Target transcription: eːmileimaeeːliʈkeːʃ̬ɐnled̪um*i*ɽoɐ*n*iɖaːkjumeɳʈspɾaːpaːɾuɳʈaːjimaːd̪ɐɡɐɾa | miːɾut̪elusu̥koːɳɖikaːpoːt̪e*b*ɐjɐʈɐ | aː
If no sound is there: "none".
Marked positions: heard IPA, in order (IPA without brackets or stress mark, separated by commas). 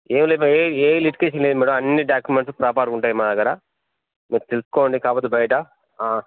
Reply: iː, nː, b